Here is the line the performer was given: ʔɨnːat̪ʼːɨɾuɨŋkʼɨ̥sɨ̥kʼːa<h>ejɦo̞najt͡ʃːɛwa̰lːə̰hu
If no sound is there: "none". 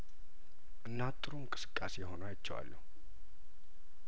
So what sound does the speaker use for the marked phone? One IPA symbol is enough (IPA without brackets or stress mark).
s